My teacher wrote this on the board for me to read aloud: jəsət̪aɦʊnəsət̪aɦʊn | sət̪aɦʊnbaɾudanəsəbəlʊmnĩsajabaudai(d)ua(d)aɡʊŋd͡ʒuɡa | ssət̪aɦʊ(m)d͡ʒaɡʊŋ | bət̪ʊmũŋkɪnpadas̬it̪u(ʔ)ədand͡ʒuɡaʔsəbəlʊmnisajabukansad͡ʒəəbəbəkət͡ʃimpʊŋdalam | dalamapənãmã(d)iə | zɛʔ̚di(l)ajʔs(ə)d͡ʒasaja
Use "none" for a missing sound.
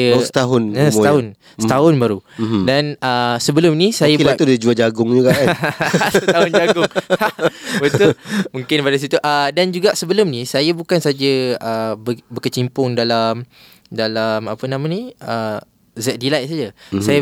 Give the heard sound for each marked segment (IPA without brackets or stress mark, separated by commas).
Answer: d͡ʒ, d͡ʒ, n, ʔ, n, l, a